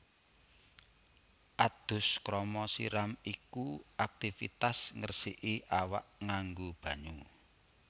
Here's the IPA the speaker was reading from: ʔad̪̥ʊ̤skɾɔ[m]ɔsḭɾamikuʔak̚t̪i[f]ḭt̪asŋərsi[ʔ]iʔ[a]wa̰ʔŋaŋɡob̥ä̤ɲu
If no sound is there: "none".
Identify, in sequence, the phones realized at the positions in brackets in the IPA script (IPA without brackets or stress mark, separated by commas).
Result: m, f, ʔ, a